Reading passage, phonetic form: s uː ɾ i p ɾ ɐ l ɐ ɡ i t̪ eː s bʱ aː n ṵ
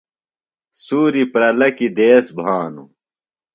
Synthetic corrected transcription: s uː ɾ i p ɾ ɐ l ɐ k i d̪ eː s bʱ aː n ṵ